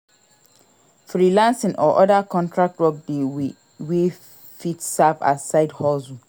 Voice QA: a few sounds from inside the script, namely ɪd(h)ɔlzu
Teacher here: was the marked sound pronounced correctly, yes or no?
yes